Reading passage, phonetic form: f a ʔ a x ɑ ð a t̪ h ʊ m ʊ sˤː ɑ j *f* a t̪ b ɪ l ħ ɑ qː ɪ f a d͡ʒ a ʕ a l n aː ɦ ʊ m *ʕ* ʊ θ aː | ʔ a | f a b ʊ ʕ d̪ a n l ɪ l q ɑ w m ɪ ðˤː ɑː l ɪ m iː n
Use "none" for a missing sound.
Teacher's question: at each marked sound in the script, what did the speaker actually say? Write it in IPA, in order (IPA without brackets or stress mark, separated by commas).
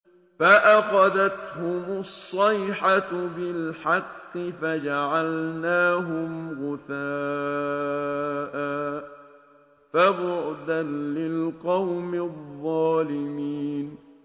ħ, ɣ